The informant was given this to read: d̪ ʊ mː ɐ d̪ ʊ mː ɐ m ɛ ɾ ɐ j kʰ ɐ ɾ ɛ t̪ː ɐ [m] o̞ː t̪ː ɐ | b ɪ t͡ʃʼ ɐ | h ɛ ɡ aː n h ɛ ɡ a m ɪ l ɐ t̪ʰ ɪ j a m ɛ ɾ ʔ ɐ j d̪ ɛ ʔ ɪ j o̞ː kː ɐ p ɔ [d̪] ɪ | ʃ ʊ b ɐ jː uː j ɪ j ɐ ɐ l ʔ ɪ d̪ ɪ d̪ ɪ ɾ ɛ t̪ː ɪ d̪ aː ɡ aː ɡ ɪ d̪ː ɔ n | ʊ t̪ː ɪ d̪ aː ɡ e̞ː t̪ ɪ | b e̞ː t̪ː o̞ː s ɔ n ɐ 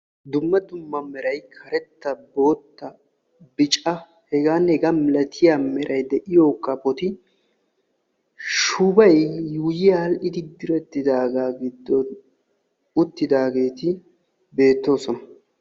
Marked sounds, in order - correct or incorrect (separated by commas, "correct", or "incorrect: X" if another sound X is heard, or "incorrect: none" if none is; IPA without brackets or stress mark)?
incorrect: b, incorrect: t̪